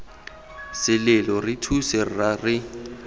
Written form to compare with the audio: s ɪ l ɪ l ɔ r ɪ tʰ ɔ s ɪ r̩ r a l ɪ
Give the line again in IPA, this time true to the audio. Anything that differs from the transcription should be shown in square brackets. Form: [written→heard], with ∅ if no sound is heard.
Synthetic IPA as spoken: s ɪ l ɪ l ɔ r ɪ tʰ [ɔ→u] s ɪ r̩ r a [l→r] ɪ